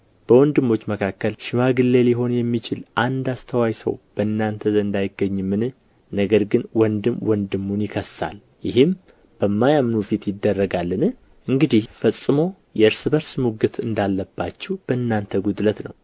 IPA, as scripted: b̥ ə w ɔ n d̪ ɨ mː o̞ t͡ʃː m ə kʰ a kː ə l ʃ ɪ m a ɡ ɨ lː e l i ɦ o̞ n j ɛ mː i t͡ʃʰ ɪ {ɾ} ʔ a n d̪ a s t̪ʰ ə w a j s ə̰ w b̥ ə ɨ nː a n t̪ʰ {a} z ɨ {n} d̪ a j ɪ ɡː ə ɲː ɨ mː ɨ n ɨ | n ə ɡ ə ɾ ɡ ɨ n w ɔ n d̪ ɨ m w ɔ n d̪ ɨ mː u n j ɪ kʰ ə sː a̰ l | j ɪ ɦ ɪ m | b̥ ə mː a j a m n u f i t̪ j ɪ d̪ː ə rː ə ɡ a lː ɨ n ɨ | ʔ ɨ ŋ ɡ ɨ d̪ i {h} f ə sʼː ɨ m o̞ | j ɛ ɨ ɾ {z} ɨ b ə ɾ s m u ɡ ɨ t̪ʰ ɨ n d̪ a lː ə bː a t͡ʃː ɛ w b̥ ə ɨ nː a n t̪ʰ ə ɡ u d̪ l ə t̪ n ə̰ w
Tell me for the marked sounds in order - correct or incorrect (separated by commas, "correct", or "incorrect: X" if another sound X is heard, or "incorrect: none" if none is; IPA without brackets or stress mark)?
incorrect: l, incorrect: ə, correct, correct, incorrect: s